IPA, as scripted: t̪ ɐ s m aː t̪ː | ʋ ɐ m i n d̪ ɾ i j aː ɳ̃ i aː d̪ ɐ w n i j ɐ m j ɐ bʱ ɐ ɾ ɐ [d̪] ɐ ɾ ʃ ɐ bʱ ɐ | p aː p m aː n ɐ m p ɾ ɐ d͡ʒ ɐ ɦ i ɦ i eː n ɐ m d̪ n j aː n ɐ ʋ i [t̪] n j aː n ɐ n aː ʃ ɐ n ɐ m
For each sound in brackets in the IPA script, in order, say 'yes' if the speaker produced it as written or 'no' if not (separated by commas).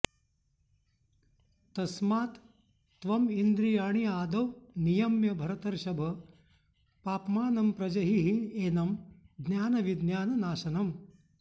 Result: no, no